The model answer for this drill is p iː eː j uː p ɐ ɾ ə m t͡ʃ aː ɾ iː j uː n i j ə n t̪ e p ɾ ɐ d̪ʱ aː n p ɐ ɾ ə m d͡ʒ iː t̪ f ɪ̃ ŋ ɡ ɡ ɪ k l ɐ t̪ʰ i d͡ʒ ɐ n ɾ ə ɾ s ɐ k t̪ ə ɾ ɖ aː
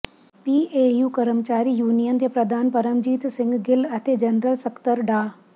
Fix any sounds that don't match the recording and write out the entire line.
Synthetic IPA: p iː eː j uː k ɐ ɾ ə m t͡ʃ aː ɾ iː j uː n i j ə n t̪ e p ɾ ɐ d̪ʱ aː n p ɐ ɾ ə m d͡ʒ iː t̪ s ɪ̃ ŋ ɡ ɡ ɪ l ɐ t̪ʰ e d͡ʒ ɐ n ɾ ə l s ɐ k t̪ ə ɾ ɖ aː